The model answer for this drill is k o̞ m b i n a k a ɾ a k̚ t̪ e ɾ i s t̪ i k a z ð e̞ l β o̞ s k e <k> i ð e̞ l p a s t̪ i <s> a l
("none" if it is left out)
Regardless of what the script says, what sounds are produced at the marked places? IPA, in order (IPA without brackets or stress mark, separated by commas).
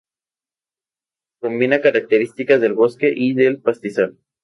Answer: ʔ, s